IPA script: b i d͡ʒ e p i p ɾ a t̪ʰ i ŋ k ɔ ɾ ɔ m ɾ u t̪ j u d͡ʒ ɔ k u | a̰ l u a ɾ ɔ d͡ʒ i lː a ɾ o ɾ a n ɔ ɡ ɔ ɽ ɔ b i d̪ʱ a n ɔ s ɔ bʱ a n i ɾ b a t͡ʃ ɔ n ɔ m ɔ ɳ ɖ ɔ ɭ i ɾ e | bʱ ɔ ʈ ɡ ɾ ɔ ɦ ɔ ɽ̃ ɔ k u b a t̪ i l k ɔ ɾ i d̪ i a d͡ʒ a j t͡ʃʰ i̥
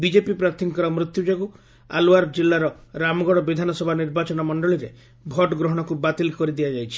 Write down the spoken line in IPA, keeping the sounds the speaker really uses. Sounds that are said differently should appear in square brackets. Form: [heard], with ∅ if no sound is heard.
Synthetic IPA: b i d͡ʒ e p i p ɾ a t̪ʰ i ŋ k ɔ ɾ ɔ m ɾ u t̪ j u d͡ʒ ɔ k u | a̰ l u a ɾ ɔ d͡ʒ i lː a ɾ [ɔ] ɾ a [m] ɔ ɡ ɔ ɽ ɔ b i d̪ʱ a n ɔ s ɔ bʱ a n i ɾ b a t͡ʃ ɔ n ɔ m ɔ ɳ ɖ ɔ ɭ i ɾ e | bʱ ɔ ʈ ɡ ɾ ɔ ɦ ɔ ɽ̃ ɔ k u b a t̪ i l k ɔ ɾ i d̪ i a d͡ʒ a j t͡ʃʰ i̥